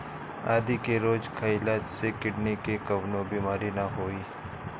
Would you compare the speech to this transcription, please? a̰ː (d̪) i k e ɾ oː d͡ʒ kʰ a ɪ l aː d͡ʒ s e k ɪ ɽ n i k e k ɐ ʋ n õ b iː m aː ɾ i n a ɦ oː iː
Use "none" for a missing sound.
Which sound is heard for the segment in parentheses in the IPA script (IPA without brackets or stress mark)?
d̪